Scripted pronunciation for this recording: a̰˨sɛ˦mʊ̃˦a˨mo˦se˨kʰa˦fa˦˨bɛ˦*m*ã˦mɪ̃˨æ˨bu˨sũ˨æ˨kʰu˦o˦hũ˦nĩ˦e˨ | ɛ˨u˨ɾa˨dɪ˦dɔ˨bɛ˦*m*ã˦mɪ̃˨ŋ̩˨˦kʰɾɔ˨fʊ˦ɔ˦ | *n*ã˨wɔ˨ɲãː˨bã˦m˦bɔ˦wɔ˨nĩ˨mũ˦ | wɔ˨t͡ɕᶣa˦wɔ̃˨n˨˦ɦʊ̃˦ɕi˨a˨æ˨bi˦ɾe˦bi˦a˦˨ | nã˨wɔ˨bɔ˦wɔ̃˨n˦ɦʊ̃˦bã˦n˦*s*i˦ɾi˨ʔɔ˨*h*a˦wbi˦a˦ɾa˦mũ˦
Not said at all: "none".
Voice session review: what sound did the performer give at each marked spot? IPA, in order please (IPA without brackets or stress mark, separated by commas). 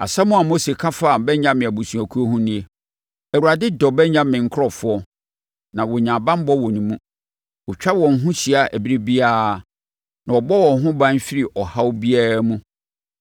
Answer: ɲ, ɲ, n, f, h